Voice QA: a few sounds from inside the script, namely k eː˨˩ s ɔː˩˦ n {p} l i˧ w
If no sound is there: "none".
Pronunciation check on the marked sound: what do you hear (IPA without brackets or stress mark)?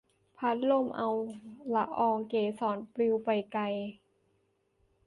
p